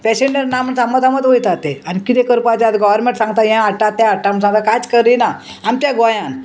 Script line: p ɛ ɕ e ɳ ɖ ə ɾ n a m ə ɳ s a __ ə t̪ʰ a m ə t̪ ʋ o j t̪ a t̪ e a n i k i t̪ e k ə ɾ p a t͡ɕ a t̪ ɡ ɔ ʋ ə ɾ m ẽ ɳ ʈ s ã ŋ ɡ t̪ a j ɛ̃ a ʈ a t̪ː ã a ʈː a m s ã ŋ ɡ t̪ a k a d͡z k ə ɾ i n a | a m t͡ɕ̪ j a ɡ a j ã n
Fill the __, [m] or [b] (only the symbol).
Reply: m